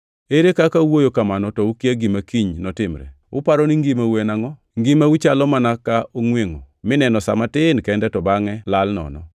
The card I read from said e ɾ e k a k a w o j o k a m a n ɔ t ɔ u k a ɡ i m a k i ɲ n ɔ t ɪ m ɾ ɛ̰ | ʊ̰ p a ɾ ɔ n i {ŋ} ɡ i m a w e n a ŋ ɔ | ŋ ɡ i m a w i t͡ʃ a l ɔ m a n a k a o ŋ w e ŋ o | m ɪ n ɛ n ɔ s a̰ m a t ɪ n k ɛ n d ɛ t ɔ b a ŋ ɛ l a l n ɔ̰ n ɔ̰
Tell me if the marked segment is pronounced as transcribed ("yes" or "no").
yes